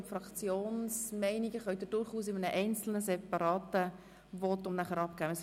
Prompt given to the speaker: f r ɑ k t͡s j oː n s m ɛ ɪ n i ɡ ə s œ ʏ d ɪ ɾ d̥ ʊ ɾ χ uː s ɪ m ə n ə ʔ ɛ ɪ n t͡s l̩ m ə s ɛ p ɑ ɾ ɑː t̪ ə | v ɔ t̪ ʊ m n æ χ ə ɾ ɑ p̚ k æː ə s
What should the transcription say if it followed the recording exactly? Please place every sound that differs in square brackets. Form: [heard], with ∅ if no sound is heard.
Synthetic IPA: f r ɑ k t͡s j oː n s m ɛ ɪ n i ɡ ə [χ] œ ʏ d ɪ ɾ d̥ ʊ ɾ χ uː s ɪ m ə n ə ʔ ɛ ɪ n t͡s l̩ [n] ə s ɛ p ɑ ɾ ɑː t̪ ə | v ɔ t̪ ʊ m n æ χ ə ɾ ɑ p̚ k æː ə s